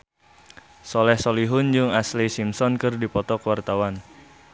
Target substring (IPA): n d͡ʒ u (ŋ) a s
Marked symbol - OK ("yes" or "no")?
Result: yes